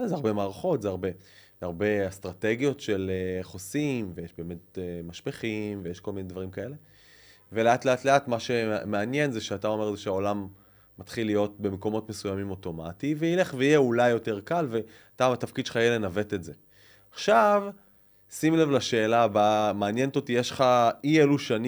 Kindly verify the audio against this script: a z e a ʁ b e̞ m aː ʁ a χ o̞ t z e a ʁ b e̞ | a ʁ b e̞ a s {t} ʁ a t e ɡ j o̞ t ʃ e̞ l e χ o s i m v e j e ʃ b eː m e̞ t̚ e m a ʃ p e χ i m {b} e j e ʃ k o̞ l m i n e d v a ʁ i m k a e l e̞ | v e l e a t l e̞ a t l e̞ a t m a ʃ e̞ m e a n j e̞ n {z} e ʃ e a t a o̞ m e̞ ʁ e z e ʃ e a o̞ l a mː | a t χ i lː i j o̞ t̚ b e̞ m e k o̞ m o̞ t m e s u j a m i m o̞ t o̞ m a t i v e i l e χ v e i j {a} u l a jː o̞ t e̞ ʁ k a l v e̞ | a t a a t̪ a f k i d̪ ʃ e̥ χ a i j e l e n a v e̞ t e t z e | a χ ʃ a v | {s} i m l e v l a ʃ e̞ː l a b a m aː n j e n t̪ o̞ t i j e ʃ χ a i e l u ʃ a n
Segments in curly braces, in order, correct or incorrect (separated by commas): correct, incorrect, correct, incorrect, correct